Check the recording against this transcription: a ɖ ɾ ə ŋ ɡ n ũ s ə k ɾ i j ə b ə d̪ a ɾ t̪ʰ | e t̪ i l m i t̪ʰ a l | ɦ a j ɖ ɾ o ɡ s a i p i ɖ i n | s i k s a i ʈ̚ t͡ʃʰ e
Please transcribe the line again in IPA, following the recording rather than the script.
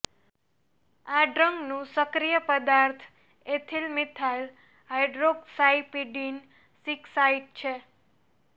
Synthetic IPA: a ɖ ɾ ə ŋ ɡ n ũ s ə k ɾ i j ə p ə d̪ a ɾ t̪ʰ | e t̪ʰ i l m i t̪ʰ a l | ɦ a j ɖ ɾ o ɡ s a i p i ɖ i n | s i k s a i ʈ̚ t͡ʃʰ e